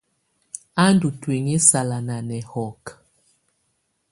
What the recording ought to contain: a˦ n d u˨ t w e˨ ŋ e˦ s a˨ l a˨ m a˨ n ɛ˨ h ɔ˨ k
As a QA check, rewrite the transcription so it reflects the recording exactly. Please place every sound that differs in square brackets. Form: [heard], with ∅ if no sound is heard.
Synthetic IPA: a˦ n d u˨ t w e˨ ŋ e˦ s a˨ l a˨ [n] a˨ n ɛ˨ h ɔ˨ k